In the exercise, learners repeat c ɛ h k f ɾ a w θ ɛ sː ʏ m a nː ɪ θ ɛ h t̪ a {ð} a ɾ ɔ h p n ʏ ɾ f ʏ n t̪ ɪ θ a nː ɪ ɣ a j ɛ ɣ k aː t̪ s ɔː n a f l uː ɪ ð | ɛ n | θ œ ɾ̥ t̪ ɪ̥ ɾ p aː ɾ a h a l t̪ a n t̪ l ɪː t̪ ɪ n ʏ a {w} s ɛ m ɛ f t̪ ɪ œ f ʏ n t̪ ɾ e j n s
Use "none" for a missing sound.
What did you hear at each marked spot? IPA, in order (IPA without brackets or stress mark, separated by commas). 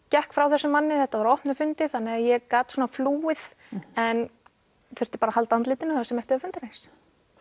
v, none